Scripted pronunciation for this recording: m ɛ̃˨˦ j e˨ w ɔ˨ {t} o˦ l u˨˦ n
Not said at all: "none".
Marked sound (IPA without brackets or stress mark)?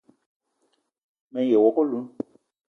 k